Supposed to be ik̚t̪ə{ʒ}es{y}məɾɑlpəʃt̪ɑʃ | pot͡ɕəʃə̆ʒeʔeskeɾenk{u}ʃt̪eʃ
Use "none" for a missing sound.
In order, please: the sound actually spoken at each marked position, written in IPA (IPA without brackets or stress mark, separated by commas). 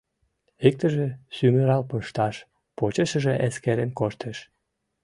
ʒ, y, o